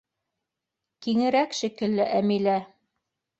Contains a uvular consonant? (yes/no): no